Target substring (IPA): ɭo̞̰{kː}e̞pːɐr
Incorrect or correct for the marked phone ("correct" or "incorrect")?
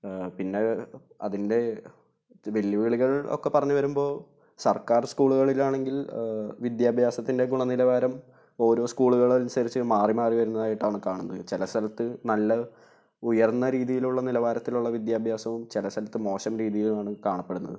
correct